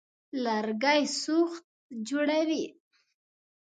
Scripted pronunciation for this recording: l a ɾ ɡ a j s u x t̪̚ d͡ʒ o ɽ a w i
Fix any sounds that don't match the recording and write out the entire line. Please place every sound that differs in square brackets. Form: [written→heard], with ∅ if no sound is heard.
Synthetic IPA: l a ɾ ɡ a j s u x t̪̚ d͡ʒ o ɽ a w i